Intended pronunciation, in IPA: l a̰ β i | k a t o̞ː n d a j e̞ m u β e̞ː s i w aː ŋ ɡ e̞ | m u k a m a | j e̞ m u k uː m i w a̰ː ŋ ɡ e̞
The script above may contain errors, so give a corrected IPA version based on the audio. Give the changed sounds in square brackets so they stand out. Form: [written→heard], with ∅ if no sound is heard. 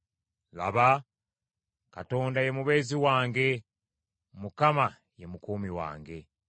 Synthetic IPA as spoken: l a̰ β [i→a] | k a t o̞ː n d a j e̞ m u β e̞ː [s→z] i w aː ŋ ɡ e̞ | m u k a m a | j e̞ m u k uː m i w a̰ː ŋ ɡ e̞